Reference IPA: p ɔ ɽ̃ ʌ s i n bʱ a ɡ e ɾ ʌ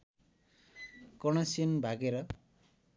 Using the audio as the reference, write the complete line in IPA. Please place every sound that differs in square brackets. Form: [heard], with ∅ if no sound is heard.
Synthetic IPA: [k] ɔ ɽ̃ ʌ s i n bʱ a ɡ e ɾ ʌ